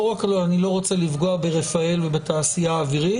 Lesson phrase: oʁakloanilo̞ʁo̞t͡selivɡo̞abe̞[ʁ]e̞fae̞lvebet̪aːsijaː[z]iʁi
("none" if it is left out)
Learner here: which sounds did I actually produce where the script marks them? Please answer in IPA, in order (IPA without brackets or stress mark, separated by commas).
ʁ, v